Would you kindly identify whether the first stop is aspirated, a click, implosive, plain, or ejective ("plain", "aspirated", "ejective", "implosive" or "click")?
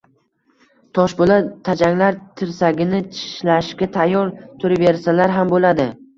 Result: aspirated